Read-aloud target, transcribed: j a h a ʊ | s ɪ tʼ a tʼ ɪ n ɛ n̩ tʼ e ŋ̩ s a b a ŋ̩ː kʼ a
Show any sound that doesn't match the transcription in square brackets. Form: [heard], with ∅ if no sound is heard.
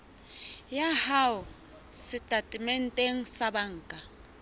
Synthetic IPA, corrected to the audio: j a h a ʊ | s ɪ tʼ a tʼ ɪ [m] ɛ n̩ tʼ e ŋ̩ s a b a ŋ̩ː kʼ a